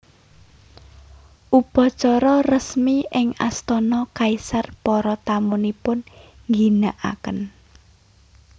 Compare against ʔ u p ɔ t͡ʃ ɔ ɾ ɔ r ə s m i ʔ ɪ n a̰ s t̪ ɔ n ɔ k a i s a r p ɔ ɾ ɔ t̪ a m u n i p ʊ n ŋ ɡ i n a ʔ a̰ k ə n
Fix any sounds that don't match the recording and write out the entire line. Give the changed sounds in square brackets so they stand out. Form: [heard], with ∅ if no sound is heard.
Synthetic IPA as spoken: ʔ u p ɔ t͡ʃ ɔ ɾ ɔ r ə s m i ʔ ɪ [ŋ] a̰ s t̪ ɔ n ɔ k a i s a r p ɔ ɾ ɔ t̪ a m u n i p ʊ n ŋ ɡ i n a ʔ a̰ k ə n